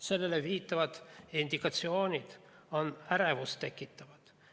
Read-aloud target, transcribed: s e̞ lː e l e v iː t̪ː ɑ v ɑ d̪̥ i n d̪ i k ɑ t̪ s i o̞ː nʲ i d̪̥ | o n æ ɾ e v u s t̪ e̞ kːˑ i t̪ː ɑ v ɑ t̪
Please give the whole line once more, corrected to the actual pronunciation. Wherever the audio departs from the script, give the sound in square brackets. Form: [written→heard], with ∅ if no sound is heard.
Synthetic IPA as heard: s e̞ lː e l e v iː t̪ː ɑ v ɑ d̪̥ i n d̪ i k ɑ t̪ s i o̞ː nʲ i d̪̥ | o n æ ɾ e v u s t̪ e̞ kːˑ i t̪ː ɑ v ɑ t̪